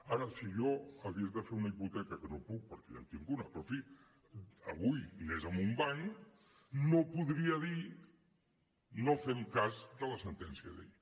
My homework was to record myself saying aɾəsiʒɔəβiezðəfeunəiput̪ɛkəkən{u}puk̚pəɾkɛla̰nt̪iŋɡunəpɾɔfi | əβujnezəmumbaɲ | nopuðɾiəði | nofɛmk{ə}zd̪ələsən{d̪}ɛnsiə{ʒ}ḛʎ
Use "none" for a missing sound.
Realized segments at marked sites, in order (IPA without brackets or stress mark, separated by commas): o, a, t̪, ð